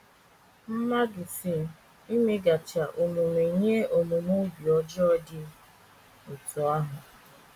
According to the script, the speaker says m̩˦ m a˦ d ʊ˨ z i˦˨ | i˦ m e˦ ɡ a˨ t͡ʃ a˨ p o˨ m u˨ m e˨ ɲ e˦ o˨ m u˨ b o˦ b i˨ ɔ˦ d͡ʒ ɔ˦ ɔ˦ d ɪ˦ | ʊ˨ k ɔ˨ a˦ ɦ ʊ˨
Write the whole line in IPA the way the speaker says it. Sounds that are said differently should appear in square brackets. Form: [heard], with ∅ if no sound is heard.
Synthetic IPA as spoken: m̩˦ m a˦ d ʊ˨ [s] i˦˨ | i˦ m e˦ ɡ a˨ t͡ʃ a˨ [ʔ] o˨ m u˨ m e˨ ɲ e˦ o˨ m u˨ [m] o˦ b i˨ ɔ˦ d͡ʒ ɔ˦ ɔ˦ d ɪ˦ | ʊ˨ [t] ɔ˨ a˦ ɦ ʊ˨